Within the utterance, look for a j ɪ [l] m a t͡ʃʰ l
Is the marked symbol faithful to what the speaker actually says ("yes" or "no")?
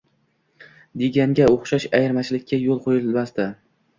no